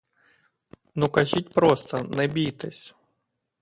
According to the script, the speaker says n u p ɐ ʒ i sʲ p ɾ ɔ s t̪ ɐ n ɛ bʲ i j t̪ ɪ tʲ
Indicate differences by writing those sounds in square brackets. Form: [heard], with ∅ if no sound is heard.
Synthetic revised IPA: n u [k] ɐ ʒ i [tʲ] p ɾ ɔ s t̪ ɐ n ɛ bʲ i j t̪ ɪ [sʲ]